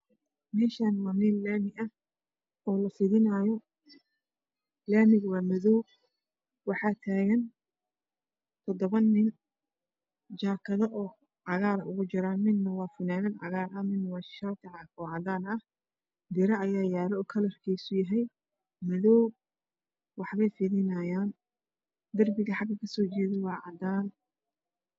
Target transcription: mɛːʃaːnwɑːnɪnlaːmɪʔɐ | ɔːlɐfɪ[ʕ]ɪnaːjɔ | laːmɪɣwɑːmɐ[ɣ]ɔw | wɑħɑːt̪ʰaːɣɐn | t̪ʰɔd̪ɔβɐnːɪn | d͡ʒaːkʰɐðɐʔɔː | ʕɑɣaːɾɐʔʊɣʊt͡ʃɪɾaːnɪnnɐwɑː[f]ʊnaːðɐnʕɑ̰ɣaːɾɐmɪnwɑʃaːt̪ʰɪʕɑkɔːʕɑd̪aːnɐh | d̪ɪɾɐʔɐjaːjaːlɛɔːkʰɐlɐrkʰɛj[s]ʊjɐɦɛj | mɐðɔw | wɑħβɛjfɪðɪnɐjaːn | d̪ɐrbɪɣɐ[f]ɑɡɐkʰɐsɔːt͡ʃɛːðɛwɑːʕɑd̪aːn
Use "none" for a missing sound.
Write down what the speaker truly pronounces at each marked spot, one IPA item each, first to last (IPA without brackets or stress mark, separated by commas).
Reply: ð, ð, f, s, ħ